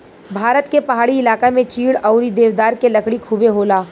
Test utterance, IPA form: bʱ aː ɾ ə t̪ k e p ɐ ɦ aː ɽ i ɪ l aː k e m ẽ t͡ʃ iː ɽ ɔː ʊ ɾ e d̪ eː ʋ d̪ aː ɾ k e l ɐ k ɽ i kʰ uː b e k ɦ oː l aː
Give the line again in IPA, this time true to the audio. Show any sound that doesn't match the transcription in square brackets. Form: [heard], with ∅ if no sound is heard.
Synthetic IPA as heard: bʱ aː ɾ ə t̪ k e p ɐ ɦ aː ɽ i ɪ l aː k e m ẽ t͡ʃ iː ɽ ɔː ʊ ɾ [i] d̪ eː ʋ d̪ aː ɾ k e l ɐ k ɽ i kʰ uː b e [∅] ɦ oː l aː

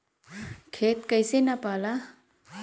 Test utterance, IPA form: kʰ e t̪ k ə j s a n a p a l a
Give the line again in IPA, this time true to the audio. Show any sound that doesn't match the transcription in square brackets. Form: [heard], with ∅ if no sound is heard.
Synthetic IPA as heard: kʰ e t̪ k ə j s [e] n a p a l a

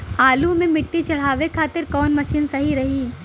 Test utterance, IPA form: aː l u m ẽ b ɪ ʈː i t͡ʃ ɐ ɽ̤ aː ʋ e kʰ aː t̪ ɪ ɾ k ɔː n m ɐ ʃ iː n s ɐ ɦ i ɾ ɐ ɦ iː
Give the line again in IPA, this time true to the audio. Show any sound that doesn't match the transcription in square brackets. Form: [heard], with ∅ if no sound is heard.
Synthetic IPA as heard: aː l u m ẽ [m] ɪ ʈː i t͡ʃ ɐ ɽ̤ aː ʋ e kʰ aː t̪ ɪ ɾ k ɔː n m ɐ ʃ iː n s ɐ ɦ i ɾ ɐ ɦ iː

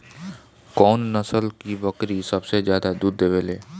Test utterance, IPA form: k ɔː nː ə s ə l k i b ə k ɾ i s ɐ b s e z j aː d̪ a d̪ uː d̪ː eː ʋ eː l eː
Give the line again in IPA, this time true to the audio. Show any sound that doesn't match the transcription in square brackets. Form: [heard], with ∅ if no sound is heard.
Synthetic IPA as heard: k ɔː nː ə s ə l k i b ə k ɾ i s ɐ b s e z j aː d̪ a d̪ uː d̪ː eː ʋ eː l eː

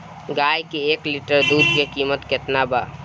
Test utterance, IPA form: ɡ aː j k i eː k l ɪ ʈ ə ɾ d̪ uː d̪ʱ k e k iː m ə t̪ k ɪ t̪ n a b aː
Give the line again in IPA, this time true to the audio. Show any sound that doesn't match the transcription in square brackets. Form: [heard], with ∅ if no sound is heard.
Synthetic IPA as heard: ɡ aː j k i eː k l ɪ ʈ ə ɾ d̪ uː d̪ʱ k e k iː m ə t̪ k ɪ t̪ n a b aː

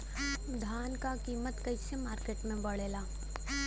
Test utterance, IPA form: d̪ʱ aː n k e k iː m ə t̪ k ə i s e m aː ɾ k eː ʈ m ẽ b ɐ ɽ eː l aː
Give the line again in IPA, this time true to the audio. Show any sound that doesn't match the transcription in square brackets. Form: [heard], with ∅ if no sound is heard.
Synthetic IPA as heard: d̪ʱ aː n k [a] k iː m ə t̪ k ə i s e m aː ɾ k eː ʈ m ẽ b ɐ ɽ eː l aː

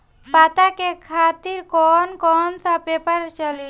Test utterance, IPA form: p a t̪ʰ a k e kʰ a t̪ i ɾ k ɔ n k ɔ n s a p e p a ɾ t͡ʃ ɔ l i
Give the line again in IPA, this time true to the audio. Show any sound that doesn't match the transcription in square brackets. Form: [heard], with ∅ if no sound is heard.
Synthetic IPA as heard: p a [t̪] a k e kʰ a t̪ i ɾ k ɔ n k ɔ n s a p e p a ɾ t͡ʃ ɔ l i

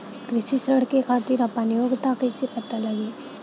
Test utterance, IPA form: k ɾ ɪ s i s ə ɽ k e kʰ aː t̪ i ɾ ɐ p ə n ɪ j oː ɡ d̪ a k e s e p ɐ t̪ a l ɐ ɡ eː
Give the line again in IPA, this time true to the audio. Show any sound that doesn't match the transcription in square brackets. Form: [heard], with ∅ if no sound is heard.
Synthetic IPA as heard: k ɾ ɪ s i s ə ɽ k e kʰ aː t̪ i ɾ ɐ p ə n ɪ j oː ɡ [t̪] a k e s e p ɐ t̪ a l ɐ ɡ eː

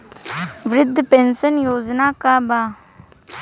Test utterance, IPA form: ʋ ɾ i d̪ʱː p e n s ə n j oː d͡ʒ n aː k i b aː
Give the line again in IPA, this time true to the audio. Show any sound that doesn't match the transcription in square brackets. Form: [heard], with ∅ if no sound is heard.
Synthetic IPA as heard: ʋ ɾ [ɪ] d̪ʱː p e n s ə n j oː d͡ʒ n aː k [a] b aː

